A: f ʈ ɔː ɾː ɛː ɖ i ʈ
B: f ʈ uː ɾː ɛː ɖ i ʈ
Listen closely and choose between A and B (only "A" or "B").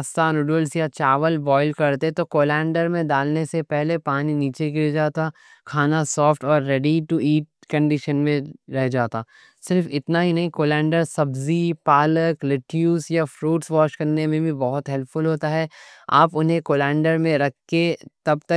A